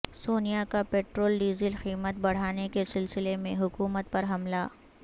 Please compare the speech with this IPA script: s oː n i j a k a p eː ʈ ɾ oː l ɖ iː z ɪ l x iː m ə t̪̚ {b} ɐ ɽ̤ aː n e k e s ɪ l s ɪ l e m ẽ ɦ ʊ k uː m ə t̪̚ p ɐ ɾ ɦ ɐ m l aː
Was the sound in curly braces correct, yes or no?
yes